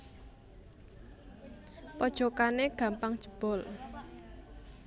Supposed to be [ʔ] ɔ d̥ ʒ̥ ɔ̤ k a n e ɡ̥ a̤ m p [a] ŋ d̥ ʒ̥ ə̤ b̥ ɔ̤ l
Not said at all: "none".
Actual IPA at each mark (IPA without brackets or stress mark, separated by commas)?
p, a